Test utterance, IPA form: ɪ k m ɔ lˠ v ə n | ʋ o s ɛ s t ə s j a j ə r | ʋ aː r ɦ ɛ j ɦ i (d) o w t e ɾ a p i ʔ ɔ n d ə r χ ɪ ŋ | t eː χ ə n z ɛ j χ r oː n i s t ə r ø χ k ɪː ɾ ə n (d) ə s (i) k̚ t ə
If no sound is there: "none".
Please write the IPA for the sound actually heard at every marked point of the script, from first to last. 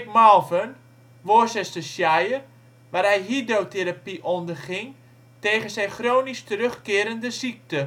d, d, i

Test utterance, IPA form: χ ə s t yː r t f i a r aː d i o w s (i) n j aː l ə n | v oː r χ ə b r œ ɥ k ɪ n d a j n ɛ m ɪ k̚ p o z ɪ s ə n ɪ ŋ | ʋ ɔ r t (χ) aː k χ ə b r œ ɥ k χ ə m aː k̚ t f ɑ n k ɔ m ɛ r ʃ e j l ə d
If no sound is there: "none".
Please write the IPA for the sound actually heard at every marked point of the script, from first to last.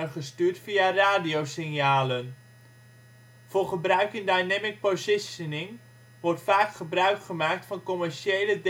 ɪ, f

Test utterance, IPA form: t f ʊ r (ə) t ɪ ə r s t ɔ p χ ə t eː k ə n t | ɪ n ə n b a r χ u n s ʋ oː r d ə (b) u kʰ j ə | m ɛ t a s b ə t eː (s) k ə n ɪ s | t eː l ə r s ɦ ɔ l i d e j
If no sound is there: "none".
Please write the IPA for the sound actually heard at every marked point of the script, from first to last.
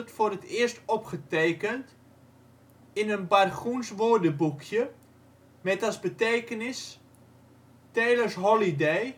ə, b, none

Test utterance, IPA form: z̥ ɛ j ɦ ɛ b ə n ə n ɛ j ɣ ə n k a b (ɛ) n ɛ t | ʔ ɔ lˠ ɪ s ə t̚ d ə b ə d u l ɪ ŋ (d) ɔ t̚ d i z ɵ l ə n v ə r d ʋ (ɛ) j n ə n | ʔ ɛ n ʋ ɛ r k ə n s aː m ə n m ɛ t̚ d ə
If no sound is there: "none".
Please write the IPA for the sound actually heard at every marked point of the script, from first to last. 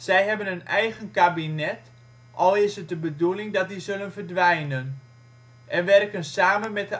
i, d, ɛ

